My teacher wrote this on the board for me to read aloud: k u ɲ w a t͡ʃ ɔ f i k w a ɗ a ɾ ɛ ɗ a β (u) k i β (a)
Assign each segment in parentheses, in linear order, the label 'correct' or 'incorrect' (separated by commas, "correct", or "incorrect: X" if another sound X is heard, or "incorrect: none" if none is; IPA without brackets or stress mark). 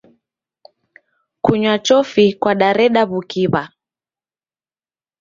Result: correct, correct